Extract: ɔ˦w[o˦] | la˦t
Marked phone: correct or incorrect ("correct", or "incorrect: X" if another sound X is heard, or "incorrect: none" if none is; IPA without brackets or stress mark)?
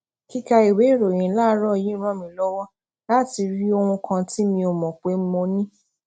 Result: incorrect: ɔ˦